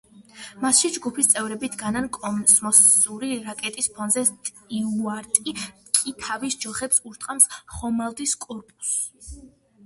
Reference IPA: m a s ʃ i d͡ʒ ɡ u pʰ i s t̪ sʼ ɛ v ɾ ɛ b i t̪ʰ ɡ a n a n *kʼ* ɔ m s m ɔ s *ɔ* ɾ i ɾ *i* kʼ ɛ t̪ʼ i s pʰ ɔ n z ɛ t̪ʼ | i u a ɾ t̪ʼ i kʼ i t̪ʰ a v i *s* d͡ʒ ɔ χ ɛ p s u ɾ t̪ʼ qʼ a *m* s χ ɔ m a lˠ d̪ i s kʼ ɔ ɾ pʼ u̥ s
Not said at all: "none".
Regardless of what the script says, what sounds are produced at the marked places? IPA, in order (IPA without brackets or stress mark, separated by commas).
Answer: kʼ, u, a, s, m